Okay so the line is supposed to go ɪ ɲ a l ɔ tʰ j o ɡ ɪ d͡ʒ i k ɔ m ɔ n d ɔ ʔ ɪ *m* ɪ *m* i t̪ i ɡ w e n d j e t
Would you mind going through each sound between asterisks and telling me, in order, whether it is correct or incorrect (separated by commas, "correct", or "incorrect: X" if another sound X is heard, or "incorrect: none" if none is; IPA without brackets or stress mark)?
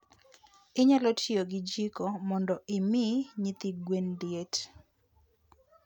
correct, incorrect: ɲ